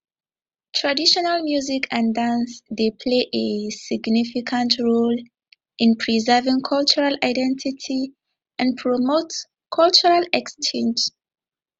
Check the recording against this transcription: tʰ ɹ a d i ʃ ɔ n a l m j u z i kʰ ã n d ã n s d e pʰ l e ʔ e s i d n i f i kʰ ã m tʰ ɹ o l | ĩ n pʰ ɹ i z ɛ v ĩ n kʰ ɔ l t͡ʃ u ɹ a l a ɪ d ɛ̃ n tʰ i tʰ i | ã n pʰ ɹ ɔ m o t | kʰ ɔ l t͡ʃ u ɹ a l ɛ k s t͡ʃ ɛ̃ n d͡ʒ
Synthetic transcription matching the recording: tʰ ɹ a d i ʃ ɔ n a l m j u z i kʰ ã n d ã n s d e pʰ l e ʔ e s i ɡ n i f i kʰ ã n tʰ ɹ o l | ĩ n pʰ ɹ i z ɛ v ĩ ŋ kʰ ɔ l t͡ʃ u ɹ a l a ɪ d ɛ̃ n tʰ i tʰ i | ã n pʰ ɹ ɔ m o t | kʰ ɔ l t͡ʃ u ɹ a l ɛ k s t͡ʃ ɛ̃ n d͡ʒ